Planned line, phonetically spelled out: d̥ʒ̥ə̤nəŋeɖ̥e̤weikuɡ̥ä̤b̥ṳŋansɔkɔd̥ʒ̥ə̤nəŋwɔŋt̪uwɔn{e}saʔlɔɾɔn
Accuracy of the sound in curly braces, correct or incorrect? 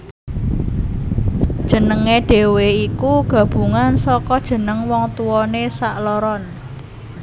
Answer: correct